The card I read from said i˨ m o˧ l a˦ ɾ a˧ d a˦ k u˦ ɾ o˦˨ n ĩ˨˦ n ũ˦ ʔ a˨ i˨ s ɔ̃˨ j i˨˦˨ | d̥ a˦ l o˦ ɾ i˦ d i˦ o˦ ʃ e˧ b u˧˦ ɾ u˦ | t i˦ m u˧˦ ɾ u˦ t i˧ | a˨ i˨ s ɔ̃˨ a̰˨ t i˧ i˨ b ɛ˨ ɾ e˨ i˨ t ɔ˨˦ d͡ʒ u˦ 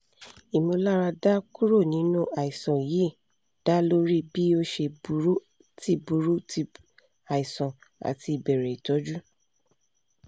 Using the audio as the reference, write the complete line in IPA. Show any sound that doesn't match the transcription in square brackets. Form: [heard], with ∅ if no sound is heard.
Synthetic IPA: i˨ m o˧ l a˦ ɾ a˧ d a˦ k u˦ ɾ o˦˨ n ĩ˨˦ n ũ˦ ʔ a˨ i˨ s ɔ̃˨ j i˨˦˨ | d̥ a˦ l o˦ ɾ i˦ [b] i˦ o˦ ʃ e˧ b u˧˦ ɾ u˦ | t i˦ [b] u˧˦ ɾ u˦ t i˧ | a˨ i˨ s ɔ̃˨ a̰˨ t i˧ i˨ b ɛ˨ ɾ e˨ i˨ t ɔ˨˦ d͡ʒ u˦